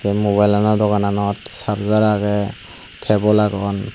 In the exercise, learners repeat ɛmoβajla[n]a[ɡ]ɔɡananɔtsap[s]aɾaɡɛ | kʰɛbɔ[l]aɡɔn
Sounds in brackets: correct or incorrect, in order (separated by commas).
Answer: correct, incorrect, incorrect, correct